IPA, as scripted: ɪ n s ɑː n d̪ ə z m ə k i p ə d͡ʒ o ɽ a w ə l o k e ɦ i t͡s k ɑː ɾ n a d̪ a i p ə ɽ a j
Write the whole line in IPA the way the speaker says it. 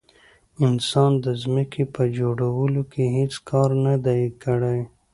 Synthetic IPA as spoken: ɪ n s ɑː n d̪ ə z m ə k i p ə d͡ʒ o ɽ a w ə l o k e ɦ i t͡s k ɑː ɾ n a d̪ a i k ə ɽ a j